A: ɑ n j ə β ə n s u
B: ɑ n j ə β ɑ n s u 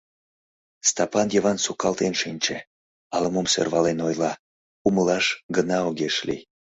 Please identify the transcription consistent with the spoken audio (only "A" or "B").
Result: B